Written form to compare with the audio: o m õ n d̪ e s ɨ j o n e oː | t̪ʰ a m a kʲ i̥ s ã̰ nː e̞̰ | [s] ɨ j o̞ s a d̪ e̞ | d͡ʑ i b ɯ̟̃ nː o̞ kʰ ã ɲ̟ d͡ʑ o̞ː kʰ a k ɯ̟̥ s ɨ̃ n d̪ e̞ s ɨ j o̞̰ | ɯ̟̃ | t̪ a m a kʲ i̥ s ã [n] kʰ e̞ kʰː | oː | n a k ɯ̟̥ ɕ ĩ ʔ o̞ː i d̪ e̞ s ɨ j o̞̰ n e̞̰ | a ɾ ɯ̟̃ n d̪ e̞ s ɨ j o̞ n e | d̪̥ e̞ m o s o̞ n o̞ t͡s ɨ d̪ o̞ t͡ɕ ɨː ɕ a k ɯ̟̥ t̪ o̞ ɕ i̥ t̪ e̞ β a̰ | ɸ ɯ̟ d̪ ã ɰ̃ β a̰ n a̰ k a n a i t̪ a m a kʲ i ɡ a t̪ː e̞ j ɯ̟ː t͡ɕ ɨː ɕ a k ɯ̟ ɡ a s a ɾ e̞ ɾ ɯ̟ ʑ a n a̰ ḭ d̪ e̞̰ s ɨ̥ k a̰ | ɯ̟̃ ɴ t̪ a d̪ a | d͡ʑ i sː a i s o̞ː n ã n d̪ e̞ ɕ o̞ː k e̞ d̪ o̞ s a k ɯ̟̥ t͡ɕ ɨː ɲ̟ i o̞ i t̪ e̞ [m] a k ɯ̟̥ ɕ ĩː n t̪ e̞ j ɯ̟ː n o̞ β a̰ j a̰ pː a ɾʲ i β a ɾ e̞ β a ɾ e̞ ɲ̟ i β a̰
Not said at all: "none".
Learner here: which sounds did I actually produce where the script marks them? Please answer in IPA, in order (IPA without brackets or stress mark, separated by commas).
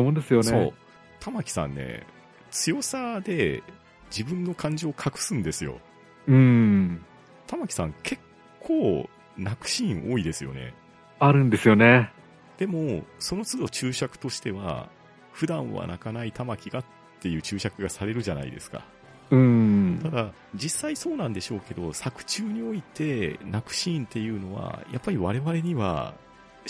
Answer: t͡s, ŋ, n